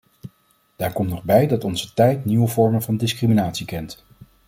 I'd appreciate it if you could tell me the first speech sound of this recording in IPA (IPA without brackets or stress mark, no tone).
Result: d̥